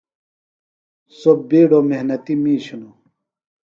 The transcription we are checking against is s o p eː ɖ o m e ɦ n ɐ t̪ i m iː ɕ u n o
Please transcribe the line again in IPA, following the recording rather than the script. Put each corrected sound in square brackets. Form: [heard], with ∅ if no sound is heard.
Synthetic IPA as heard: s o [b] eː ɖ o m e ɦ n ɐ t̪ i m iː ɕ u n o